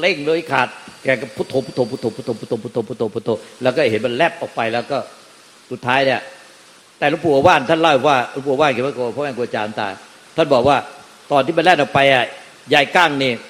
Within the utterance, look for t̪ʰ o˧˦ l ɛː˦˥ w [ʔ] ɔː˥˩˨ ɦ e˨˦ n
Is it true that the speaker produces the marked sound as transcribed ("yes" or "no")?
no